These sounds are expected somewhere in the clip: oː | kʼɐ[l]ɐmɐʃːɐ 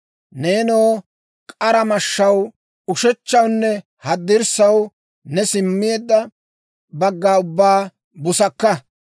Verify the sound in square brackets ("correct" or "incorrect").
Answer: incorrect